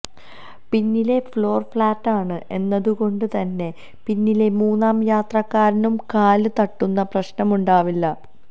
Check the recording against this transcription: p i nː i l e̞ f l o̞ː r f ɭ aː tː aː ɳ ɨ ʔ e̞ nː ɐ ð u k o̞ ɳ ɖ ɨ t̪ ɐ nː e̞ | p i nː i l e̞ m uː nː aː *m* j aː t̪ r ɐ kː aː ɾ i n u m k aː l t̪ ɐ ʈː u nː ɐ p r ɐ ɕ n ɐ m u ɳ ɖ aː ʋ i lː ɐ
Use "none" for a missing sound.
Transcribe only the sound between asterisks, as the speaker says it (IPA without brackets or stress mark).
m